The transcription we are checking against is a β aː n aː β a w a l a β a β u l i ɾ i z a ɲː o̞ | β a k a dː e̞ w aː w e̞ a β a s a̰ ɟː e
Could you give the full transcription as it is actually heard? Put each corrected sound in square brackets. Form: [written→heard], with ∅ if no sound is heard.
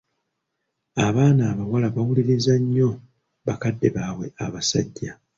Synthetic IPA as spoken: a β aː n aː β a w a l a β a [β→w] u l i ɾ i z a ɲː o̞ | β a k a dː e̞ [w→β] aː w e̞ a β a s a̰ ɟː [e→a]